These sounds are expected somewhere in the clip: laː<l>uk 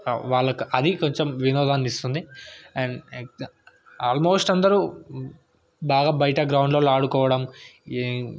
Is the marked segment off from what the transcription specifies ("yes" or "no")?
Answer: yes